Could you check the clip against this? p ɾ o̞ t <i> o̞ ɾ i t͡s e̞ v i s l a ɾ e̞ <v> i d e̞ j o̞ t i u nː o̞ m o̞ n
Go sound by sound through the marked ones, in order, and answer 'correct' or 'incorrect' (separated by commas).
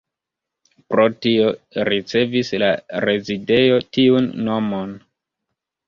correct, incorrect